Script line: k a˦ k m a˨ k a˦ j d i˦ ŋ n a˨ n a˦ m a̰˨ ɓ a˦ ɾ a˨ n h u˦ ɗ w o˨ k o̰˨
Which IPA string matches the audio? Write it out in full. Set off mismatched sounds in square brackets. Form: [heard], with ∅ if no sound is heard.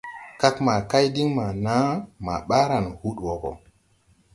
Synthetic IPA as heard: k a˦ k m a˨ k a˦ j d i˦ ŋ [m] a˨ n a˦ m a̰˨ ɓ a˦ ɾ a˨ n h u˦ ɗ w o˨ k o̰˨

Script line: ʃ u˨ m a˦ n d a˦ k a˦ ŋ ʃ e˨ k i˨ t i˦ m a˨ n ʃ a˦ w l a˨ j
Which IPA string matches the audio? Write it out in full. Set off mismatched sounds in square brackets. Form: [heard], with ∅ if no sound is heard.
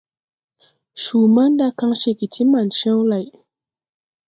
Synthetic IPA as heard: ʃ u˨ m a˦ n d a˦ k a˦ ŋ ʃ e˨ k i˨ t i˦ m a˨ n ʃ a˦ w l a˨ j

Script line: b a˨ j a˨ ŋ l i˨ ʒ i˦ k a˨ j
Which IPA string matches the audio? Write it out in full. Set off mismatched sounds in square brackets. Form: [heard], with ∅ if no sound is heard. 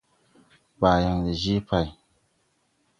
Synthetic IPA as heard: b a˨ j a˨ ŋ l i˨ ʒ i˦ [p] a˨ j

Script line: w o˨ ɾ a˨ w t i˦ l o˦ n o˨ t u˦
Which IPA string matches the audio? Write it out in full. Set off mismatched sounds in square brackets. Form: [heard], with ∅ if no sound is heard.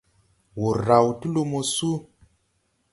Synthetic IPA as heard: w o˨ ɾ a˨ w t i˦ l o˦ [m] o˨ [s] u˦

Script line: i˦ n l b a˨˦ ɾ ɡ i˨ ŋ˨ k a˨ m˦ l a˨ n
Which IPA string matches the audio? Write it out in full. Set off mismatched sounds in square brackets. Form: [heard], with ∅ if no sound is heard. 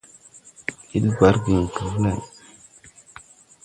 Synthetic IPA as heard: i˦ [∅] l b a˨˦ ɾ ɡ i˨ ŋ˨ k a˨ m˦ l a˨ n

